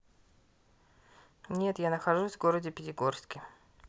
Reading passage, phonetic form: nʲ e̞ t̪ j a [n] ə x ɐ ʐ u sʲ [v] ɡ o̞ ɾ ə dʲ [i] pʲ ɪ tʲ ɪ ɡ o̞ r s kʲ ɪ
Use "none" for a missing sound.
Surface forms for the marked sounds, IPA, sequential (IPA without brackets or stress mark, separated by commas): n, v, ɪ